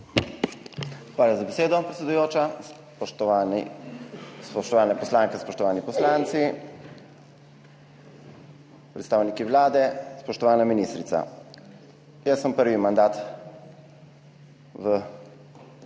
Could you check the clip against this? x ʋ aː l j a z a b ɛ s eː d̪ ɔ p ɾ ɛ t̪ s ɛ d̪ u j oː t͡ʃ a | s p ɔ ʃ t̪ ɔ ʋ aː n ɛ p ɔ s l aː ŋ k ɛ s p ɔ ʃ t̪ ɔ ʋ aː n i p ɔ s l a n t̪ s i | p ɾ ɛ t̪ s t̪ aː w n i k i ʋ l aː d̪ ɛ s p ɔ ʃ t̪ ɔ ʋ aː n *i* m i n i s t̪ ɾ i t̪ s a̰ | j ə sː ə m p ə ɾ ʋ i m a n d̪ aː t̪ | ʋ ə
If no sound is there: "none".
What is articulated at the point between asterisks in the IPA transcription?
a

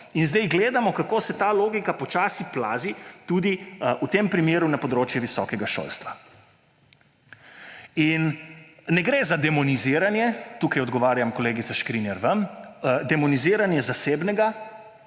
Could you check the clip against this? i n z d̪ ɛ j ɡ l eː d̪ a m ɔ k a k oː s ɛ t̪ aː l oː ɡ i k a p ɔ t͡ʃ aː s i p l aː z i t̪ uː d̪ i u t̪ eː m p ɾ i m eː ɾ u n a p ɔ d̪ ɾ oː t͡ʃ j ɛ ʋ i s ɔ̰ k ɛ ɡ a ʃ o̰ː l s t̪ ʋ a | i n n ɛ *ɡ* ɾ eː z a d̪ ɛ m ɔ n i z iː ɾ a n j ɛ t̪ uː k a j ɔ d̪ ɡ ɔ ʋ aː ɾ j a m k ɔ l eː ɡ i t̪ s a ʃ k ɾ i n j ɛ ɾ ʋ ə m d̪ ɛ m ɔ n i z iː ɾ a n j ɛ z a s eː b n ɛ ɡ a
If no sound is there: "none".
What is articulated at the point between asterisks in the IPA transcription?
ɡ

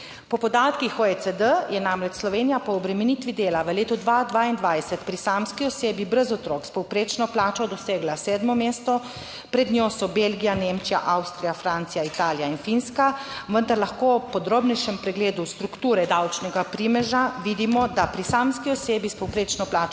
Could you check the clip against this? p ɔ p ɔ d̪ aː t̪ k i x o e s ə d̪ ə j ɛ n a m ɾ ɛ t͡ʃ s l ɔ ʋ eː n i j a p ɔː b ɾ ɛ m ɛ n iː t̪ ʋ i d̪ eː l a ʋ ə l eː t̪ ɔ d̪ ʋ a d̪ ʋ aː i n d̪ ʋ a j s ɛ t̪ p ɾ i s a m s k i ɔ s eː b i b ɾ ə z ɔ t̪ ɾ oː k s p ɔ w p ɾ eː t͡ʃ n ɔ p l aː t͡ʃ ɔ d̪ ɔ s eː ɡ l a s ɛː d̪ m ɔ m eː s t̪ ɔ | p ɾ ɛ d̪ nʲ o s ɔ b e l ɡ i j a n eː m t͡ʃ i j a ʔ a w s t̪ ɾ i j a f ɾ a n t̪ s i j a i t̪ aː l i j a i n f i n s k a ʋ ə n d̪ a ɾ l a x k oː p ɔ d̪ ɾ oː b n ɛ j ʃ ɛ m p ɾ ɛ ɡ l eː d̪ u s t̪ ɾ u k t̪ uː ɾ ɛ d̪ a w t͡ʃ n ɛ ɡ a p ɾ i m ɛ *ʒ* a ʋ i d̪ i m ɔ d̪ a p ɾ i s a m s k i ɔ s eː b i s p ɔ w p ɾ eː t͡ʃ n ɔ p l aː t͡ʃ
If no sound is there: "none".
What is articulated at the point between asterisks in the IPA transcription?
ʒ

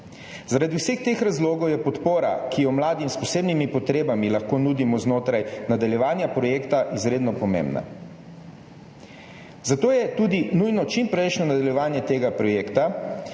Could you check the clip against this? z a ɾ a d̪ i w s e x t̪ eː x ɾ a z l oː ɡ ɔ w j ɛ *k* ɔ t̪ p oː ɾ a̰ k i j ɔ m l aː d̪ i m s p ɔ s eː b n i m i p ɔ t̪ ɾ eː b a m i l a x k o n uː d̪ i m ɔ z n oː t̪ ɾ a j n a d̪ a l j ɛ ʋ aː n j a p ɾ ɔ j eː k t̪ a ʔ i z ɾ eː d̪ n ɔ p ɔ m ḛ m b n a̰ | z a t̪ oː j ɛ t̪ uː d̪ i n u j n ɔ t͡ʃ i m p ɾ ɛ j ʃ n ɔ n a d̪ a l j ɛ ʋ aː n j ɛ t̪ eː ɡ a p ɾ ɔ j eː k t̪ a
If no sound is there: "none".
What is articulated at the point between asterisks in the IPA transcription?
p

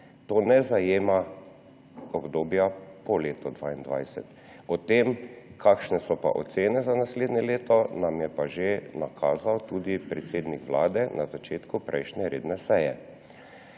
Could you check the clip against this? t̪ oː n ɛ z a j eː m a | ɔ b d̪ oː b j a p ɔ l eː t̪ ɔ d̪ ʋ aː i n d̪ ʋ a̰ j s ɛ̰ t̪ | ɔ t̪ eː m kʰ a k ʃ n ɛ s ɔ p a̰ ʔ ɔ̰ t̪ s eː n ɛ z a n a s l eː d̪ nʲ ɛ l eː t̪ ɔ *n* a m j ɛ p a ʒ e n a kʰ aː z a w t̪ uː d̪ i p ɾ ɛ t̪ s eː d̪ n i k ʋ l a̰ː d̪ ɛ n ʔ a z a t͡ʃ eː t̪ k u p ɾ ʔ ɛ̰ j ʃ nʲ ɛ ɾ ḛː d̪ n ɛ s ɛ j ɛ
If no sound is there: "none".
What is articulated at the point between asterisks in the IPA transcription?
n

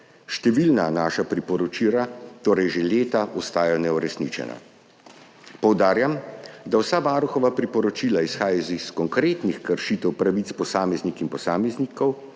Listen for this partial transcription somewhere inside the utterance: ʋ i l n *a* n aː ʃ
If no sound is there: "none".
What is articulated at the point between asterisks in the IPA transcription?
a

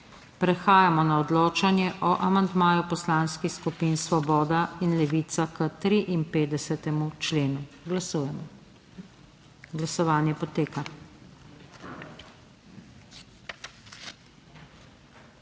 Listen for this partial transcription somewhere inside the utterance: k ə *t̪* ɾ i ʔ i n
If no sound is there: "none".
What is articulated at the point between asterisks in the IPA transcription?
t̪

